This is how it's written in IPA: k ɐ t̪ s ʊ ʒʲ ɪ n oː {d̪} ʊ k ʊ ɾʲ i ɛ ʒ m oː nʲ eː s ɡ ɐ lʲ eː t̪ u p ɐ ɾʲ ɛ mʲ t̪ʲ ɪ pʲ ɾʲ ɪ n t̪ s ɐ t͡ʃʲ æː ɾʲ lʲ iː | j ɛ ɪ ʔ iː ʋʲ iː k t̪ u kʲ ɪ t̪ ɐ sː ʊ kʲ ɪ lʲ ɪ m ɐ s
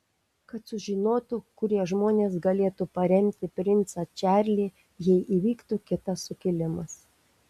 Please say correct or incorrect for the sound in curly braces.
incorrect